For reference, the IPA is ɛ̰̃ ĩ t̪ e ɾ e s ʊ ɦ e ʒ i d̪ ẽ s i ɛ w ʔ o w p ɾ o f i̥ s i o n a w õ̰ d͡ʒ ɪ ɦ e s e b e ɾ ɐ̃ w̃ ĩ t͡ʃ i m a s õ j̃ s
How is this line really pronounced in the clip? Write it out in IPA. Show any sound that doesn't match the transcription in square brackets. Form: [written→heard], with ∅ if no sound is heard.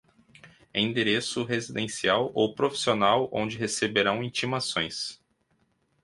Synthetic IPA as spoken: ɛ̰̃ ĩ [t̪→d̪] e ɾ e s ʊ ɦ e [ʒ→z] i d̪ ẽ s i [ɛ→a] w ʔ o w p ɾ o f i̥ s i o n a w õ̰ d͡ʒ ɪ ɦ e s e b e ɾ ɐ̃ w̃ ĩ t͡ʃ i m a s õ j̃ s

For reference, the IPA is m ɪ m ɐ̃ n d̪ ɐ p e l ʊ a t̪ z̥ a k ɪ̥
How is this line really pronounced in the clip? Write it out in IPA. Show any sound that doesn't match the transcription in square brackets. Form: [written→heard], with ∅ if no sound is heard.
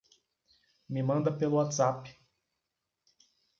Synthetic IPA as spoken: m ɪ m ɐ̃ n d̪ ɐ p e l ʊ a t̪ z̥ a [k→p] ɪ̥

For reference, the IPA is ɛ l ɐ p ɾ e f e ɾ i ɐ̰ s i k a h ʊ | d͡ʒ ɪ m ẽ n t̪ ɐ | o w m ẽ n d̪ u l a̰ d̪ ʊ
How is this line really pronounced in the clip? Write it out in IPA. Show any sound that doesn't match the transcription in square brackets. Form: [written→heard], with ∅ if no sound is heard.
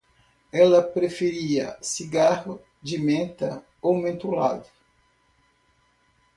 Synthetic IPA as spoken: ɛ l ɐ p ɾ e f e ɾ i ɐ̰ s i [k→ɡ] a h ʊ | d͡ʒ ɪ m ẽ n t̪ ɐ | o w m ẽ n [d̪→t̪] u l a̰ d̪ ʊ

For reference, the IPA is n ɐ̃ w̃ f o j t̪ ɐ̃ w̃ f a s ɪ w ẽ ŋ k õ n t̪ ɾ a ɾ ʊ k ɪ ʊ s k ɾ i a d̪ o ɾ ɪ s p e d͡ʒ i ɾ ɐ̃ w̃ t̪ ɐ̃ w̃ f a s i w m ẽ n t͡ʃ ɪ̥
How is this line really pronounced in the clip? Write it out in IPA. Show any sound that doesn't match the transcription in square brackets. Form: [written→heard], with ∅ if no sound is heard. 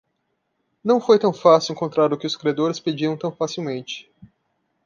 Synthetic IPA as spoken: n ɐ̃ w̃ f o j t̪ ɐ̃ w̃ f a s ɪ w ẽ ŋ k õ n t̪ ɾ a ɾ ʊ k ɪ ʊ s k ɾ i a d̪ o ɾ ɪ s p e d͡ʒ i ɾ ɐ̃ w̃ t̪ ɐ̃ w̃ f a s i w m ẽ n t͡ʃ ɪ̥

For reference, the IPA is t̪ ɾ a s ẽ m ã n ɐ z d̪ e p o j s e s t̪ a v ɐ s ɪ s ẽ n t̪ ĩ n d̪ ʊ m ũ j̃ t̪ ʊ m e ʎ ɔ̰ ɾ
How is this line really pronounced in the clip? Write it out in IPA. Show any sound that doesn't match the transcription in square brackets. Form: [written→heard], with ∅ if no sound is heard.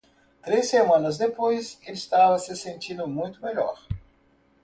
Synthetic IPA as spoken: t̪ ɾ [a→e] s [ẽ→e] m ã n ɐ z d̪ e p o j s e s t̪ a v ɐ s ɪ s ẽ n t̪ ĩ n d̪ ʊ m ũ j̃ t̪ ʊ m e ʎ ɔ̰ ɾ

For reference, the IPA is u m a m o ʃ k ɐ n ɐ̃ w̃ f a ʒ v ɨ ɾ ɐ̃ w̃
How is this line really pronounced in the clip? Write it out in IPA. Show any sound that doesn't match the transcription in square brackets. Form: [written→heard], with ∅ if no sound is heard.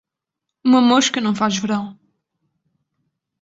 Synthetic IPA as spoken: u m [a→ɐ] m o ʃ k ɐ n ɐ̃ w̃ f a ʒ v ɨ ɾ ɐ̃ w̃

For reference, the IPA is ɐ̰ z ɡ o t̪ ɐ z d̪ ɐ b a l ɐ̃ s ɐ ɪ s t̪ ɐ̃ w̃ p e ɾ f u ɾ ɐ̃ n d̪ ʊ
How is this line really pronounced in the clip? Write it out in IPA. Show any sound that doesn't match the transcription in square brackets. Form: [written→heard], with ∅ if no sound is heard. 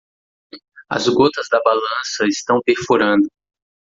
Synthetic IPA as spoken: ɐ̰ z ɡ o t̪ ɐ z d̪ ɐ b a l ɐ̃ s ɐ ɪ s t̪ ɐ̃ w̃ p e ɾ f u ɾ ɐ̃ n d̪ ʊ

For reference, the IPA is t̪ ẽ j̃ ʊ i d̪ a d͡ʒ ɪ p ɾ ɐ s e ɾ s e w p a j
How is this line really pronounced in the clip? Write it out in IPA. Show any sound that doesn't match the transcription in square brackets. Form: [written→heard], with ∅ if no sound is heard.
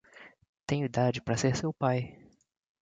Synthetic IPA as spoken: t̪ ẽ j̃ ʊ i d̪ a d͡ʒ ɪ p ɾ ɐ s e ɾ s e w p a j

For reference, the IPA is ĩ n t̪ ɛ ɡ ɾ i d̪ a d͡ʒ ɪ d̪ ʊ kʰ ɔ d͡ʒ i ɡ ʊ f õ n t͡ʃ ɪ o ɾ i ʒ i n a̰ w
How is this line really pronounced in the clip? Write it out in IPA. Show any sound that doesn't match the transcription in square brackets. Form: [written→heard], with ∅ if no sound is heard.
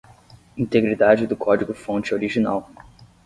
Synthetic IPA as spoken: ĩ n t̪ [ɛ→e] ɡ ɾ i d̪ a d͡ʒ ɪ d̪ ʊ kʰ ɔ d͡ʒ i ɡ ʊ f õ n t͡ʃ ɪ o ɾ i ʒ i n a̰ w

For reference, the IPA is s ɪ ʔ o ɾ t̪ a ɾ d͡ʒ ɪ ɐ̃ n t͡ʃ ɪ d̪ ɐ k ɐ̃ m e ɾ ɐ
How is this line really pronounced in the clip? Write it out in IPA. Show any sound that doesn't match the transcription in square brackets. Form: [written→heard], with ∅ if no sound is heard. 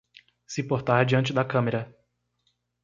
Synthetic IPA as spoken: s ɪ [ʔ→p] o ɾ t̪ a ɾ d͡ʒ [ɪ→i] ɐ̃ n t͡ʃ ɪ d̪ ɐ k ɐ̃ m e ɾ ɐ

